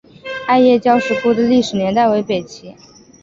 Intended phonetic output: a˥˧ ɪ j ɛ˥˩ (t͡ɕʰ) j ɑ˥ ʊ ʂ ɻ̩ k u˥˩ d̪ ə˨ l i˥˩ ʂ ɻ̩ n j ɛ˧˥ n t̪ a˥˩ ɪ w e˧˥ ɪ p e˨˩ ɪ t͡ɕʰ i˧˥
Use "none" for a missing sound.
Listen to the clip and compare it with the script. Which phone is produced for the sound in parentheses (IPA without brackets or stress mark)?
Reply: t͡ɕ